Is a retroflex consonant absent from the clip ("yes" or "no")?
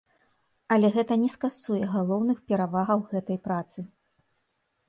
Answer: yes